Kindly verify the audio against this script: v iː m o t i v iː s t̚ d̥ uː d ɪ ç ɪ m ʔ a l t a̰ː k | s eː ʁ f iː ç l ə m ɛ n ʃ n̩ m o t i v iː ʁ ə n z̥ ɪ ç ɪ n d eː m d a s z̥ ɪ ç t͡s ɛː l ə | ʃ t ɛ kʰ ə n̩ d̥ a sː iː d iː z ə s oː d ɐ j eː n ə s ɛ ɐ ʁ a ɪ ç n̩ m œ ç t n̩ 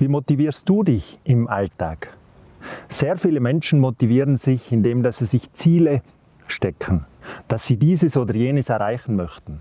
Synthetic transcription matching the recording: v iː m o t i v iː s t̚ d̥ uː d ɪ ç ɪ m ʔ a l t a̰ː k | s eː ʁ f iː l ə m ɛ n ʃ n̩ m o t i v iː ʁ ə n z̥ ɪ ç ɪ n d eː m d a s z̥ ɪ ç t͡s iː l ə | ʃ t ɛ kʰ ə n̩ d̥ a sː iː d iː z ə s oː d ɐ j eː n ə s ɛ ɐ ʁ a ɪ ç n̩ m œ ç t n̩

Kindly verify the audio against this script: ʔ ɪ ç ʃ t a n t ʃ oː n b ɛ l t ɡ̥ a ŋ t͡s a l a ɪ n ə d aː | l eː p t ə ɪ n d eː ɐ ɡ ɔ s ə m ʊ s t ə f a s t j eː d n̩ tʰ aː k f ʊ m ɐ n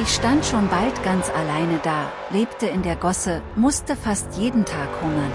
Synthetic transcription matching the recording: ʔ ɪ ç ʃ t a n t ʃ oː n b a l t ɡ̥ a n t͡s a l a ɪ n ə d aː | l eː p t ə ɪ n d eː ɐ ɡ ɔ s ə m ʊ s t ə f a s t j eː d n̩ tʰ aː k h ʊ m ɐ n

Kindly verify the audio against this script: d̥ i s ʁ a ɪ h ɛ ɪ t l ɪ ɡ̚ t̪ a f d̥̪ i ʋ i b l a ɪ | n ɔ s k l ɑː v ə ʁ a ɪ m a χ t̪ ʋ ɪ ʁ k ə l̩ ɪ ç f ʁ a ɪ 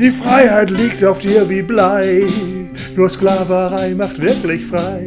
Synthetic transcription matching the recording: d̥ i f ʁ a ɪ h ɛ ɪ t l ɪ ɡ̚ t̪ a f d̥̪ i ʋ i b l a ɪ | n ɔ s k l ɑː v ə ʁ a ɪ m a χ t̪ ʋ ɪ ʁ k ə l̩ ɪ ç f ʁ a ɪ

